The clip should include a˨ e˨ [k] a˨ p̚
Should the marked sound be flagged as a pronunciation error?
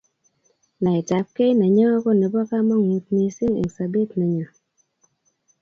yes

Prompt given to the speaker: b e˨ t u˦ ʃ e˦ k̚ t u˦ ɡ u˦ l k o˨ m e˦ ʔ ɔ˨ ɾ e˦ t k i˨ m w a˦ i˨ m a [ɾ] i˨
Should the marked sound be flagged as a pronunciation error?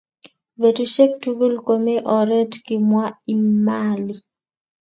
yes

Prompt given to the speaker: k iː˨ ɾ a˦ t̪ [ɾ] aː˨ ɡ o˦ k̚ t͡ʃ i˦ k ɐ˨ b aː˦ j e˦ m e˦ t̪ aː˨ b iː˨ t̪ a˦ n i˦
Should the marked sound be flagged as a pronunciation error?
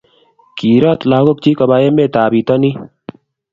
yes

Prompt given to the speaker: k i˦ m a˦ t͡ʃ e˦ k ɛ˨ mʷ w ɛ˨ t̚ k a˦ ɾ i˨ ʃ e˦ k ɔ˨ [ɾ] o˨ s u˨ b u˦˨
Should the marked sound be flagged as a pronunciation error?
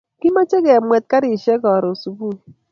no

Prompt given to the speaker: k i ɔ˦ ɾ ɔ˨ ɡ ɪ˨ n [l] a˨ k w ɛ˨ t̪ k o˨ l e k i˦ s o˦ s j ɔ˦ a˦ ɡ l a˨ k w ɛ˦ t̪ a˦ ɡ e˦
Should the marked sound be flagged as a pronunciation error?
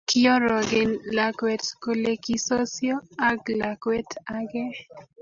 no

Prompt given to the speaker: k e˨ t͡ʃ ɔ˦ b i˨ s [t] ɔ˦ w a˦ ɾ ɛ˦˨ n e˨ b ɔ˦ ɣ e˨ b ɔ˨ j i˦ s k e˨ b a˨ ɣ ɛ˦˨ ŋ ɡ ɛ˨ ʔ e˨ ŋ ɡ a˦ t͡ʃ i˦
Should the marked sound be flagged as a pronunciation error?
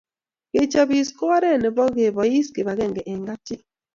yes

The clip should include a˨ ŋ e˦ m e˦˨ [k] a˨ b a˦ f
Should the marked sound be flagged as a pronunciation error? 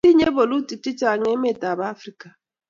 yes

